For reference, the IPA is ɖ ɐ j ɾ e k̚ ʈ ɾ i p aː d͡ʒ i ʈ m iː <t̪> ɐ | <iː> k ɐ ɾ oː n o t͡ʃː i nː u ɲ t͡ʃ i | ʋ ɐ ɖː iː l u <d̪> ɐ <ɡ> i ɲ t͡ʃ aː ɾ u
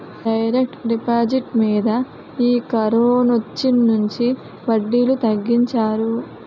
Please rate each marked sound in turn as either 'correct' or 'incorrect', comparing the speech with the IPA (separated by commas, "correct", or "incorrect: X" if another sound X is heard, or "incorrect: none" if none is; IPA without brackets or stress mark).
incorrect: d̪, correct, incorrect: t̪, incorrect: ɡː